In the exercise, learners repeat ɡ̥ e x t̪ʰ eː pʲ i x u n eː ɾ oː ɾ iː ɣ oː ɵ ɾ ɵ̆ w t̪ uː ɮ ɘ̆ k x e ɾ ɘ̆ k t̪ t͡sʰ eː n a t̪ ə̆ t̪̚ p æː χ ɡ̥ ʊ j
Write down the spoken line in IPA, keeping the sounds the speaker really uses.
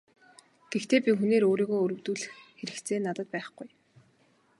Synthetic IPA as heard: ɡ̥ e x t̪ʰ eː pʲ i x u n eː ɾ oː ɾ iː ɣ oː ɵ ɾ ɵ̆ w t̪ uː ɮ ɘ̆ x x e ɾ ɘ̆ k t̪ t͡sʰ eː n a t̪ ə̆ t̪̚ p æː χ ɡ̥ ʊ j